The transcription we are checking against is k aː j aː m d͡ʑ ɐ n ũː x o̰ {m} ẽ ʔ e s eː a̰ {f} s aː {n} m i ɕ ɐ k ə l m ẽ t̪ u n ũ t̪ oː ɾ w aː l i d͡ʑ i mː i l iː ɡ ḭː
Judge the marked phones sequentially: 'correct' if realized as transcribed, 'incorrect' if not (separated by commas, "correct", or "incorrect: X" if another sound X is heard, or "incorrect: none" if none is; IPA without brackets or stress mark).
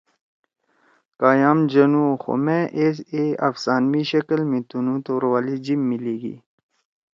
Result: correct, correct, correct